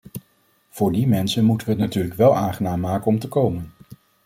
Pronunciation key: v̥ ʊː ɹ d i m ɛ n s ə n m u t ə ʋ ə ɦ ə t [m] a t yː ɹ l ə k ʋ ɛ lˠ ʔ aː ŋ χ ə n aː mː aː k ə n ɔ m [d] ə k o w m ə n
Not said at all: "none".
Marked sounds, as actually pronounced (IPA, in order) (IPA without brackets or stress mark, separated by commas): n, t